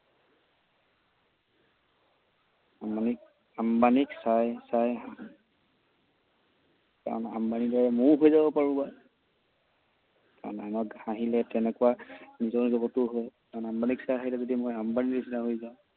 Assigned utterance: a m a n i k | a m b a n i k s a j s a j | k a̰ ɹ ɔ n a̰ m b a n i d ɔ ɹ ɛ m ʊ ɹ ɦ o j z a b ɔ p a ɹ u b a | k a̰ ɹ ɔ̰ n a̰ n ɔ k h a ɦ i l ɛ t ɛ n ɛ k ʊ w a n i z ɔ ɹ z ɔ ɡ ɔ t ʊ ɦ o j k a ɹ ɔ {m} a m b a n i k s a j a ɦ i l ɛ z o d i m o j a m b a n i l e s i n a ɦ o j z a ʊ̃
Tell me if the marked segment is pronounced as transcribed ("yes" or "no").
no